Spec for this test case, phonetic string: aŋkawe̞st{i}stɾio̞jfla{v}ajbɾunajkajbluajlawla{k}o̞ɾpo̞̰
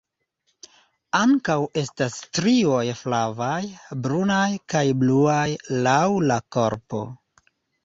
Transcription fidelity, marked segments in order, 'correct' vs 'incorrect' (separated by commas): incorrect, correct, correct